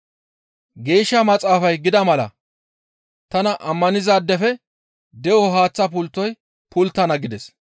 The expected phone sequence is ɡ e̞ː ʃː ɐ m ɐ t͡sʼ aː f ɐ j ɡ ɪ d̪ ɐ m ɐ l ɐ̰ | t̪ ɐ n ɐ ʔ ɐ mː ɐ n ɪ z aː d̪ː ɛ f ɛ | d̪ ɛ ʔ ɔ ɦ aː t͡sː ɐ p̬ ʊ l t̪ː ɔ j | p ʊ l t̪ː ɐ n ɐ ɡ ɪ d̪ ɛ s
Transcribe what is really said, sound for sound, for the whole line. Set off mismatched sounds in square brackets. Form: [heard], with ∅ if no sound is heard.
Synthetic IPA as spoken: ɡ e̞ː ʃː ɐ m ɐ t͡sʼ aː f ɐ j ɡ ɪ d̪ ɐ m ɐ l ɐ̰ | t̪ ɐ n ɐ ʔ ɐ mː ɐ n ɪ z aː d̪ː ɛ f ɛ | d̪ ɛ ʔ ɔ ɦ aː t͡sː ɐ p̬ ʊ l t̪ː ɔ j | p ʊ l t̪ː ɐ n ɐ ɡ ɪ d̪ ɛ s